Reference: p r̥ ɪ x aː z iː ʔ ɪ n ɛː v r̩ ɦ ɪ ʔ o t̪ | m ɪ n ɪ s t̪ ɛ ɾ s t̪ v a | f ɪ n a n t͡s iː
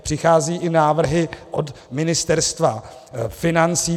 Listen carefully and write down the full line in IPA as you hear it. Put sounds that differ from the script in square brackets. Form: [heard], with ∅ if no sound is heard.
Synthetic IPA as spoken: p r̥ ɪ x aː z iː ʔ ɪ n [aː] v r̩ ɦ ɪ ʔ o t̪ | m ɪ n ɪ s t̪ ɛ ɾ s t̪ v a | f ɪ n a n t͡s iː